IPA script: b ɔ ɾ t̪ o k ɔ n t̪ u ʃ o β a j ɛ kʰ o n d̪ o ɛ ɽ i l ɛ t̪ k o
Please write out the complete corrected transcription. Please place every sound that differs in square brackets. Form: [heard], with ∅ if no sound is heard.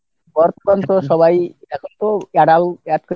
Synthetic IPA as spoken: b ɔ ɾ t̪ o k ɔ n t̪ [o] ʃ [ɔ] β a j ɛ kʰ o n [t̪] o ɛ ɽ [a] l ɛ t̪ k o